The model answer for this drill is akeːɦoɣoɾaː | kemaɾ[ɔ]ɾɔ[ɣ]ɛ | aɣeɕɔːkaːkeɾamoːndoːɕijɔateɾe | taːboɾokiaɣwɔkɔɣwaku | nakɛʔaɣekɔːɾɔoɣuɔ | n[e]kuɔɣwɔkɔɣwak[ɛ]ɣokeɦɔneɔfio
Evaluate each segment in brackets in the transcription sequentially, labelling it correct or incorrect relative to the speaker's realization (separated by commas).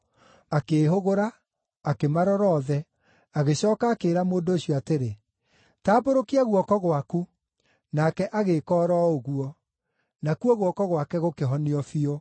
correct, incorrect, incorrect, correct